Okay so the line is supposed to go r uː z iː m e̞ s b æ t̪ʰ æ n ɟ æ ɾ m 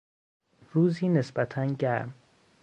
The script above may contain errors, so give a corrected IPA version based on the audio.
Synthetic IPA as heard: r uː z iː n e̞ s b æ t̪ʰ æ n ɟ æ ɾ m